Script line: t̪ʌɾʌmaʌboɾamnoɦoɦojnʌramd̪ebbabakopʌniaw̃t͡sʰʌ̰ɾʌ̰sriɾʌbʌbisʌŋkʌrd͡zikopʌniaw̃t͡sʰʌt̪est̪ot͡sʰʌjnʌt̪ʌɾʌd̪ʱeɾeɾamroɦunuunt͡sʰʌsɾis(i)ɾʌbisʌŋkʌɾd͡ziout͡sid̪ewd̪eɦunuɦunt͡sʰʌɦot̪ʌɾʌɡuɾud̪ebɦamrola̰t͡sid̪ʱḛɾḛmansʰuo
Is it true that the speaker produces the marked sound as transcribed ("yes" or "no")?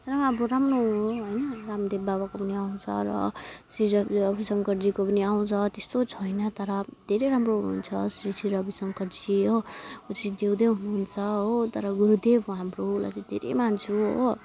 yes